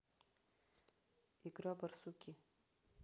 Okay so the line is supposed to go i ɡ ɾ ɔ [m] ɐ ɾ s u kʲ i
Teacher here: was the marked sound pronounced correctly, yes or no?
no